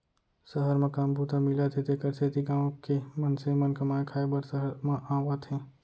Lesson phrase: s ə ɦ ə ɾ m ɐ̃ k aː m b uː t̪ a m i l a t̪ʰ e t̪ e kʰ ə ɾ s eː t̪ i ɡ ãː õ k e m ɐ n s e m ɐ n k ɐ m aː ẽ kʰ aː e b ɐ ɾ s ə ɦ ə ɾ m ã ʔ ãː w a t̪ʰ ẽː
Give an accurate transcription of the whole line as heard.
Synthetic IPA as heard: s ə ɦ ə ɾ m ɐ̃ k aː m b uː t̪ a m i l a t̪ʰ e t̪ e k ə ɾ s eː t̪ i ɡ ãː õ k e m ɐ n s e m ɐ n k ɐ m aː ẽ kʰ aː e b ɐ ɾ s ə ɦ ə ɾ m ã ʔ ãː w a t̪ʰ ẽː